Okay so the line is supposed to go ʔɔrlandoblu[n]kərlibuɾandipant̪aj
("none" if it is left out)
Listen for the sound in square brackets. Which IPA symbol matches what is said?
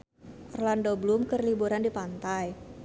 m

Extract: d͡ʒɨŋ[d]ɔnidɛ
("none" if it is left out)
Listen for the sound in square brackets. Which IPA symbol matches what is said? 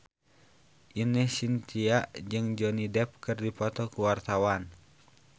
d͡ʒ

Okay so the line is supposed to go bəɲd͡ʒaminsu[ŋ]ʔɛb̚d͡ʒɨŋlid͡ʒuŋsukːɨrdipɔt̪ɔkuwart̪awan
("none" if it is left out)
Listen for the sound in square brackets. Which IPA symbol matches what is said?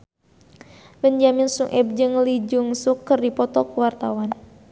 ŋ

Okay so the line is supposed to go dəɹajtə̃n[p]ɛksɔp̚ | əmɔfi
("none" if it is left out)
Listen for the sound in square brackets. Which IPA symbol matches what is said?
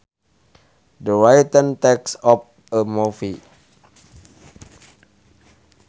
t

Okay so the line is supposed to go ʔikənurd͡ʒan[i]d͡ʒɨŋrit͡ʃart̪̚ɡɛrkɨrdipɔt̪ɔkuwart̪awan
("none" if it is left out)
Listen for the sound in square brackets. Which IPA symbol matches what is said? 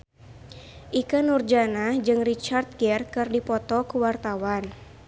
a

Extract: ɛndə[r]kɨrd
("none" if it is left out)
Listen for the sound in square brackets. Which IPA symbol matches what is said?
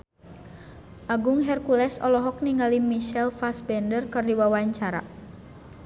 r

